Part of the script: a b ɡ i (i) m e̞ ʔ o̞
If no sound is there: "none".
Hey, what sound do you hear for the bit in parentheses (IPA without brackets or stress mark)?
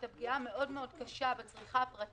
a